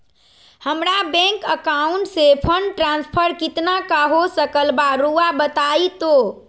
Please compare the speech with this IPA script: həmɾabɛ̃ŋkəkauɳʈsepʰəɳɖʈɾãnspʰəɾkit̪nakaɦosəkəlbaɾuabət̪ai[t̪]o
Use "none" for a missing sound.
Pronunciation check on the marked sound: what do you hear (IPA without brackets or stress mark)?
t̪